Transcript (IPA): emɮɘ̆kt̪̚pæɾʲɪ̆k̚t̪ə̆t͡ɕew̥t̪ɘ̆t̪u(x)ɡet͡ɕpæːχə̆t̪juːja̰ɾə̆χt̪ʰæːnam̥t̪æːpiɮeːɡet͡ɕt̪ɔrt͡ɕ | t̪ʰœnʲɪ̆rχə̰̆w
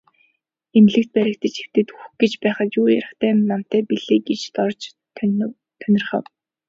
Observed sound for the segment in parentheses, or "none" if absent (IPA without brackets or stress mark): x